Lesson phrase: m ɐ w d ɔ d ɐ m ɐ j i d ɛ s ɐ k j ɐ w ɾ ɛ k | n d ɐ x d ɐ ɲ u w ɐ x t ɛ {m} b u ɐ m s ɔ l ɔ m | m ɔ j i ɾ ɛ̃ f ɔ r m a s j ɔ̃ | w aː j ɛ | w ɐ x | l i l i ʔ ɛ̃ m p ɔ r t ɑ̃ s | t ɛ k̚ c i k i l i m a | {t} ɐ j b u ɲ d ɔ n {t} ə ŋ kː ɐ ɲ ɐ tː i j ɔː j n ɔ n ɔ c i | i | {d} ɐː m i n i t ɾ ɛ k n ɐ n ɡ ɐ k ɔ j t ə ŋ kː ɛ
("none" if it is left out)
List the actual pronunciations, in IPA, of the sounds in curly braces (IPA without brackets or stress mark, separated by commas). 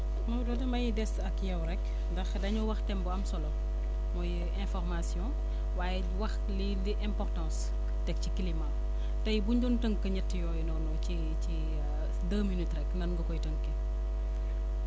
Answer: m, t, t, d